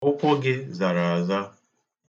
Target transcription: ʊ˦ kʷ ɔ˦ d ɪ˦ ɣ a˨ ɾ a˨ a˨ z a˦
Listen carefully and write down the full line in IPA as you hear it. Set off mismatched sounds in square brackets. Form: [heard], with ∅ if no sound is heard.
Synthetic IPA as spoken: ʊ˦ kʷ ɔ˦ [ɡ] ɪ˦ [z] a˨ ɾ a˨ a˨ z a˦